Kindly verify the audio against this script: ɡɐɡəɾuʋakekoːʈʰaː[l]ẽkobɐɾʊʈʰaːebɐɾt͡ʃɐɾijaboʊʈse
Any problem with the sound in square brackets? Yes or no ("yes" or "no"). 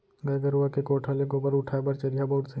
no